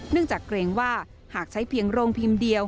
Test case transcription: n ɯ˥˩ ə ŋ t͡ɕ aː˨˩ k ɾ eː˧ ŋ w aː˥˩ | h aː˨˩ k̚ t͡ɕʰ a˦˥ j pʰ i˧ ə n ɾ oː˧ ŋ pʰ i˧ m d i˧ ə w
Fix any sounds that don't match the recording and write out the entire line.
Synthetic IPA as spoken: n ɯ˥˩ ə ŋ t͡ɕ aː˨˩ k ɾ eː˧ ŋ w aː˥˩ | h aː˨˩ k̚ t͡ɕʰ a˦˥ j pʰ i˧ ə ŋ ɾ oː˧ ŋ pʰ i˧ m d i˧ ə w